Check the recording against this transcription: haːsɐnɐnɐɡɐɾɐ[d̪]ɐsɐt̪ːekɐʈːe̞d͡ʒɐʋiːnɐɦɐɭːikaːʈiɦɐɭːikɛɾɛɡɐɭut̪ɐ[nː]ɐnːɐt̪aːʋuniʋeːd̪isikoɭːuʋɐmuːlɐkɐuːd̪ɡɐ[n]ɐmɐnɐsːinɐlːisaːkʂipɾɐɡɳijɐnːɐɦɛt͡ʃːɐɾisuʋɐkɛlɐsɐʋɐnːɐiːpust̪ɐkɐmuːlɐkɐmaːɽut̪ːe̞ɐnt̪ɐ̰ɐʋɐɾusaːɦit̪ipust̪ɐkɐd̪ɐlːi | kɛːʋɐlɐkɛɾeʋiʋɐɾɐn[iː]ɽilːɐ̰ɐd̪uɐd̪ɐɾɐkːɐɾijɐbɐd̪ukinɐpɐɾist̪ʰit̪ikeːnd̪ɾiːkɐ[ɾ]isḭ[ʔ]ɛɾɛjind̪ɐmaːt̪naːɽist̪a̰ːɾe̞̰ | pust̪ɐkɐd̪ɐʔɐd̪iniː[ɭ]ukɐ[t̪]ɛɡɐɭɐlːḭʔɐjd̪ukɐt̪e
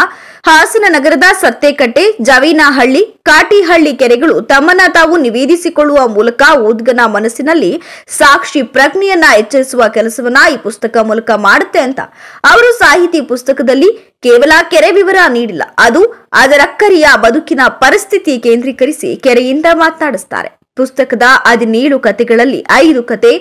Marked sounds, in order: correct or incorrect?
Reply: correct, incorrect: mː, correct, correct, correct, incorrect: k, correct, correct

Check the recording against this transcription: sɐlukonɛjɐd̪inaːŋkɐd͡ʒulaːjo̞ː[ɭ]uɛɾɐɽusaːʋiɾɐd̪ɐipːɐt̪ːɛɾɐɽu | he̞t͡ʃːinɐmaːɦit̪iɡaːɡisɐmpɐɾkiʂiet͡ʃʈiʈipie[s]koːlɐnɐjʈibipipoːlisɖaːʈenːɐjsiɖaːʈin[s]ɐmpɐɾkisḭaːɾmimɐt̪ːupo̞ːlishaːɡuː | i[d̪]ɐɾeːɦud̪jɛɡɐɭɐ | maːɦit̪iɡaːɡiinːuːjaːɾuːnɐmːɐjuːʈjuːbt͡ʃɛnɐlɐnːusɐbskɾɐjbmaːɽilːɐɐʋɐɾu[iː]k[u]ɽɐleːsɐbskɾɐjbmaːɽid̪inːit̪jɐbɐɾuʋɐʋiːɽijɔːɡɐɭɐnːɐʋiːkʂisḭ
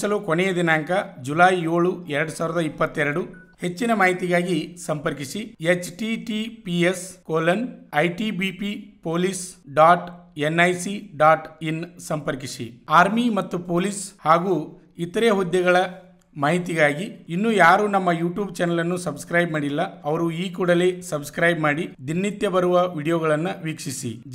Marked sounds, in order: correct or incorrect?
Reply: correct, correct, correct, incorrect: t̪, correct, incorrect: uː

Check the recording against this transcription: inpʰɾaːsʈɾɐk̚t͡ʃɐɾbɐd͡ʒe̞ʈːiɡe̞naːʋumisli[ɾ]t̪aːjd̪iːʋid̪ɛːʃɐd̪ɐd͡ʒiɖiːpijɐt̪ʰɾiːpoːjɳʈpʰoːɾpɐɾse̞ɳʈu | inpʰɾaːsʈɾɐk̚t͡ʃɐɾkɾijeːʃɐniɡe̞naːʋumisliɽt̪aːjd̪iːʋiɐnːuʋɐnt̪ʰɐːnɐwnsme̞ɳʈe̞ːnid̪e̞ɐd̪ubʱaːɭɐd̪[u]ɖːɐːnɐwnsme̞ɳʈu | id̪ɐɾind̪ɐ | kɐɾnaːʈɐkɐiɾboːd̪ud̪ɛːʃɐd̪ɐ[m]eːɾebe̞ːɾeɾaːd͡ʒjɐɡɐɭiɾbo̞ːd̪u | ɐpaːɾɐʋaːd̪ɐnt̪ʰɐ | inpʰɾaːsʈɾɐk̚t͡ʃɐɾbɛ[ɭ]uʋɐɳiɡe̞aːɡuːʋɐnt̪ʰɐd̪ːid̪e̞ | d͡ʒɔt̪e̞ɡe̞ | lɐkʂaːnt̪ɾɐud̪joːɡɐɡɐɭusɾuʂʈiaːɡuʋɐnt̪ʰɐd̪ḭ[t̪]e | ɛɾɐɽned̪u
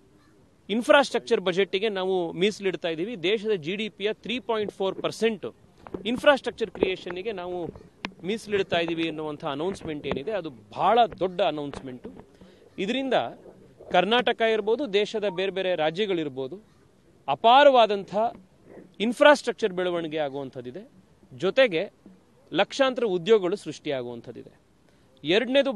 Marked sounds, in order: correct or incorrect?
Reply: incorrect: ɽ, incorrect: ɔ, incorrect: b, correct, incorrect: d̪

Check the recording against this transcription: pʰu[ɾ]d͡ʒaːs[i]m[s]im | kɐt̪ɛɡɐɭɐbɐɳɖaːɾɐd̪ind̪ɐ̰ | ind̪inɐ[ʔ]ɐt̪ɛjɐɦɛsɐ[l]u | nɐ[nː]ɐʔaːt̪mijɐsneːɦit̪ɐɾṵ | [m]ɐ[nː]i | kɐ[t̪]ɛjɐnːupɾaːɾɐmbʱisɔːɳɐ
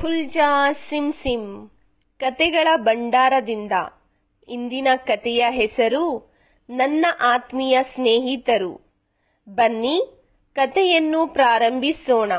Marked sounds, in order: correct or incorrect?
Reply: incorrect: l, correct, correct, incorrect: k, incorrect: ɾ, correct, incorrect: b, correct, correct

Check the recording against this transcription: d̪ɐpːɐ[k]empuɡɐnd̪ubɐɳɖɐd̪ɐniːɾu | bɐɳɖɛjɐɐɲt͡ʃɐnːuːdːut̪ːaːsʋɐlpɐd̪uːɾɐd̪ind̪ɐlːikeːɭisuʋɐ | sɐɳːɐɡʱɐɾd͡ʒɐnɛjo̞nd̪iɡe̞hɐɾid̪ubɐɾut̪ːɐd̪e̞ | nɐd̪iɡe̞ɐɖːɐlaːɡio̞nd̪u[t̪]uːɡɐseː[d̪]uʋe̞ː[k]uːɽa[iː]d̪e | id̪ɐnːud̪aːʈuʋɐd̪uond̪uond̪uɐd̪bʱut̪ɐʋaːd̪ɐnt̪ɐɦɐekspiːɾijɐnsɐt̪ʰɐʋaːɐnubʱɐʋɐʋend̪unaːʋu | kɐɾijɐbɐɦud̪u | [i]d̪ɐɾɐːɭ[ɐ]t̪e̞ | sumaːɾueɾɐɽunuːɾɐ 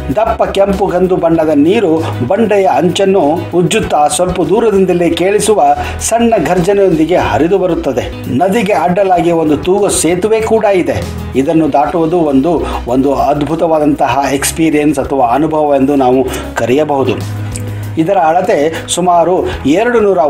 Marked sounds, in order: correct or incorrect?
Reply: correct, correct, incorrect: t̪, correct, incorrect: i, correct, correct

